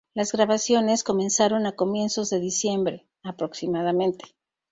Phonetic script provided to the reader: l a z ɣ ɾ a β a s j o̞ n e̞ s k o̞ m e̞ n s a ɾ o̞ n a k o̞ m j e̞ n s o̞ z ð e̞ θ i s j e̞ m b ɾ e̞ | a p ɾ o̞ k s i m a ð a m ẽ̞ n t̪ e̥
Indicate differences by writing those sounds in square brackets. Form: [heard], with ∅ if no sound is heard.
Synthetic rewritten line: l a z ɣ ɾ a β a s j o̞ n e̞ s k o̞ m e̞ n s a ɾ o̞ n a k o̞ m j e̞ n s o̞ z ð e̞ [ð] i s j e̞ m b ɾ e̞ | a p ɾ o̞ k s i m a ð a m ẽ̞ n t̪ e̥